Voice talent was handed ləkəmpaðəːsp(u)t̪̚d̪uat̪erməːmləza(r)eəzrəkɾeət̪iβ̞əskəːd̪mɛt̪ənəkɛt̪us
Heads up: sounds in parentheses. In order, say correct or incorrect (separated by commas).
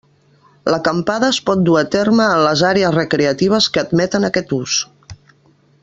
incorrect, incorrect